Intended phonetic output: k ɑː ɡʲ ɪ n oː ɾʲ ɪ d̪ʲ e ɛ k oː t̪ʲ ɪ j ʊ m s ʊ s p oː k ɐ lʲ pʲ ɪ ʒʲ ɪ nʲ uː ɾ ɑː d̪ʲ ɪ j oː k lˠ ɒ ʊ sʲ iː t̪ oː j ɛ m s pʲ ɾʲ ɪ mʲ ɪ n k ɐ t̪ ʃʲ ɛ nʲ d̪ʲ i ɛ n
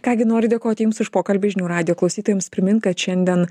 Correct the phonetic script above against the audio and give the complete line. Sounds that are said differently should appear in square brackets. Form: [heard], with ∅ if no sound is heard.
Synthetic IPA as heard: k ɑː ɡʲ ɪ n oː ɾʲ ɪ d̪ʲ e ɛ k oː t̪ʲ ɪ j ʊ m s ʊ [ʃ] p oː k ɐ lʲ [bʲ] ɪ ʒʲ ɪ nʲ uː ɾ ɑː d̪ʲ ɪ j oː k lˠ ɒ ʊ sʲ iː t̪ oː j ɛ m s pʲ ɾʲ ɪ mʲ ɪ n k ɐ t̪ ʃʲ ɛ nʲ d̪ʲ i ɛ n